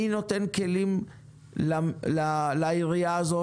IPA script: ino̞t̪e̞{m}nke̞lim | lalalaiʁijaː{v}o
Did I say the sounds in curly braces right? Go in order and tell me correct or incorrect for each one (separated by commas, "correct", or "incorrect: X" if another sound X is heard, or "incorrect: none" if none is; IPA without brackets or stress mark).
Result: incorrect: none, incorrect: z